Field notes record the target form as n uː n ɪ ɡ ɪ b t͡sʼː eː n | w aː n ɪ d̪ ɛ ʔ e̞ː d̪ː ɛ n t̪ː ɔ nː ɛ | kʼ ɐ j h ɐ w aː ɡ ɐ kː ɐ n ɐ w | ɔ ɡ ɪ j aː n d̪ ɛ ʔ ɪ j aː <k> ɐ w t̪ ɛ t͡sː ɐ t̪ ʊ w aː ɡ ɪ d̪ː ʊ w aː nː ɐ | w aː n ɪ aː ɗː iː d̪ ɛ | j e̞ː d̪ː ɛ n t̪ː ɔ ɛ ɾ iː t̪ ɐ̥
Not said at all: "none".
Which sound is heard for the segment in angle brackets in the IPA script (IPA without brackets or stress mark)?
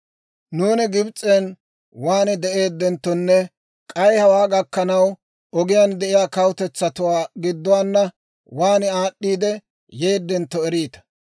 k